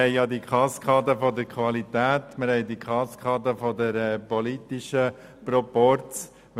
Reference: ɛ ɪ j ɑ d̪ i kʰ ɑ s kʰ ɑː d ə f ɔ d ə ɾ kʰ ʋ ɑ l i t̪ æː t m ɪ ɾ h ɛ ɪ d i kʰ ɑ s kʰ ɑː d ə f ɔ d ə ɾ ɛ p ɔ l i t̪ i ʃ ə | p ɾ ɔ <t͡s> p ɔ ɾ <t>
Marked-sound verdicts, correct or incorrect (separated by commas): incorrect, incorrect